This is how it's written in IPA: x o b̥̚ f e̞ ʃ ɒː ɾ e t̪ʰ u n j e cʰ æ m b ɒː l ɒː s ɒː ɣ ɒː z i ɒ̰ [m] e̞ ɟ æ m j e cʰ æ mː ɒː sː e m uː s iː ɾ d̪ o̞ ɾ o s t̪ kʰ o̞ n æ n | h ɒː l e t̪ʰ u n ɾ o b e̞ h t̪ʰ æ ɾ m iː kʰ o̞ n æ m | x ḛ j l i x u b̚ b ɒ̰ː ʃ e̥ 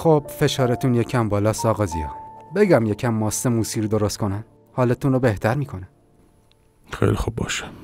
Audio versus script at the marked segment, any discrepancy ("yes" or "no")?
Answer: yes